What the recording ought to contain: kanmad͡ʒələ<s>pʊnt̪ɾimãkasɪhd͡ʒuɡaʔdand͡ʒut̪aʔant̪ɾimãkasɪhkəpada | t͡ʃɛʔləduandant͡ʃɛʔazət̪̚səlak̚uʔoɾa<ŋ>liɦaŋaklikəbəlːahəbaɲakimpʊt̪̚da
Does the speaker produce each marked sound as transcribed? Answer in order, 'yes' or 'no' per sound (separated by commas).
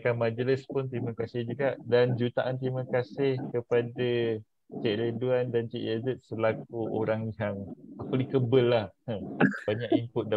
yes, yes